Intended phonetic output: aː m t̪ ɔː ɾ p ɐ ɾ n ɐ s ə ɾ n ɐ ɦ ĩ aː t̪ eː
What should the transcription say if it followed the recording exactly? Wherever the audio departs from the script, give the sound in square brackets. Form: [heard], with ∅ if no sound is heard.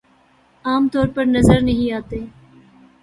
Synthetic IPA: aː m t̪ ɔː ɾ p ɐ ɾ n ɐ [z] ə ɾ n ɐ ɦ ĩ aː t̪ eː

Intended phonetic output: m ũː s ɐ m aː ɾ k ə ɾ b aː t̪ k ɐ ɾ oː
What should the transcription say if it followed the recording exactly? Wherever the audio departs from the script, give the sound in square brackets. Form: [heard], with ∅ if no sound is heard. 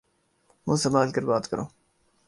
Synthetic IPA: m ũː s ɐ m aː [l] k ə ɾ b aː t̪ k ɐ ɾ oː

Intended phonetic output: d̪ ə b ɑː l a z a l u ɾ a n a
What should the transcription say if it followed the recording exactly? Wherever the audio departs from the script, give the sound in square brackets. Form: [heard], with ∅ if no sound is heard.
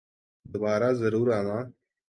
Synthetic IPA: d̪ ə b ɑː [ɾ] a z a [ɾ] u ɾ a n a

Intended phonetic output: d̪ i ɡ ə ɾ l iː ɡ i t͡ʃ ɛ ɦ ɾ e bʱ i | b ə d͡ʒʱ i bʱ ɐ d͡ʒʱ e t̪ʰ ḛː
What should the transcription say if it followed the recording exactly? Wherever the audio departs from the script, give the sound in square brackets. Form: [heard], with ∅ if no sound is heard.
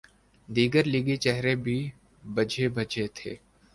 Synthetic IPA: d̪ [iː] ɡ ə ɾ l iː ɡ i t͡ʃ ɛ ɦ ɾ e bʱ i | b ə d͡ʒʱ [e] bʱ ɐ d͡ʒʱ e t̪ʰ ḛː

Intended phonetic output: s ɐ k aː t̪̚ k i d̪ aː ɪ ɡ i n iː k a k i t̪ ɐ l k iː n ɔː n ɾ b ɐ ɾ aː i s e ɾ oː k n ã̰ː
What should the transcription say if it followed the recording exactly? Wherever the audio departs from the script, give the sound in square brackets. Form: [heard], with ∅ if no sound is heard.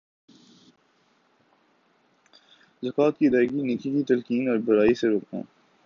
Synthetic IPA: [z] ɐ k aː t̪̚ k i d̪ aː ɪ ɡ i n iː k [i] k i t̪ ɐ l k iː n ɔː [∅] ɾ b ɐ ɾ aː i s e ɾ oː k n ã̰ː

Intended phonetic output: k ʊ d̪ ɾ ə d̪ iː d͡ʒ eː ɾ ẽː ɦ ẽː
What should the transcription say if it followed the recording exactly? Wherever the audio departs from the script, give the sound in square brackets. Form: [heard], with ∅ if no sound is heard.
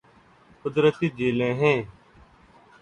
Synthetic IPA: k ʊ d̪ ɾ ə [t̪] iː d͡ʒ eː [l] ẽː ɦ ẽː

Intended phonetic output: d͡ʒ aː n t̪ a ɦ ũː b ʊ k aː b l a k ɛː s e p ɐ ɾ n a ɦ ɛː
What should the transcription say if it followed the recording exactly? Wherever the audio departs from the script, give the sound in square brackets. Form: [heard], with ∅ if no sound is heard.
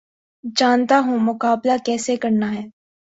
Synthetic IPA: d͡ʒ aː n t̪ a ɦ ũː [m] ʊ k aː b l a k ɛː s e [k] ɐ ɾ n a ɦ ɛː

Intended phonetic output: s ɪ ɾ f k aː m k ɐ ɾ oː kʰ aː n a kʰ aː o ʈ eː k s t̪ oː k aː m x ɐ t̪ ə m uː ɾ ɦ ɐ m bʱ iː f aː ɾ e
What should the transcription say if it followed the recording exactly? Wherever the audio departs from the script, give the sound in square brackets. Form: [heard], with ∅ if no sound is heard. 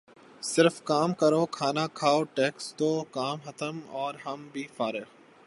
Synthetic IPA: s ɪ ɾ f k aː m k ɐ ɾ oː kʰ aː n a kʰ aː o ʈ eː k s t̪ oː k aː m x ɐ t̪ ə m [ɔː] ɾ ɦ ɐ m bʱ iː f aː ɾ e

